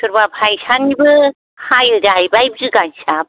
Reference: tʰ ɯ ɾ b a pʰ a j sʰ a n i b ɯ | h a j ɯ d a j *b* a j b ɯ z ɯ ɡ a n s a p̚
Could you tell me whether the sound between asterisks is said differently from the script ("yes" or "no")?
no